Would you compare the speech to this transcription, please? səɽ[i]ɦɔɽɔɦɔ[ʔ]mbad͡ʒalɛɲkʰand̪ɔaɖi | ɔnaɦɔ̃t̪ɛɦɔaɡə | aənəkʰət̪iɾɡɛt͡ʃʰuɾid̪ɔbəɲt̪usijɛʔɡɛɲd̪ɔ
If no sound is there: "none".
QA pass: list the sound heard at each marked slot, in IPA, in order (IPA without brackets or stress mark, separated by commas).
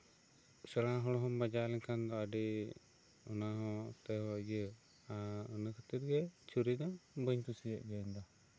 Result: a, none